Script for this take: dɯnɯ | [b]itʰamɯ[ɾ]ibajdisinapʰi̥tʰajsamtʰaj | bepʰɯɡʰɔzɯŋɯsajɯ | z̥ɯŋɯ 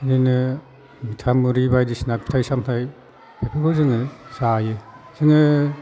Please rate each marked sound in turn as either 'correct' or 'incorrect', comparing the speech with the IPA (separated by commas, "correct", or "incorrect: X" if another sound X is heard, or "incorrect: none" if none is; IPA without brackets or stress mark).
incorrect: m, correct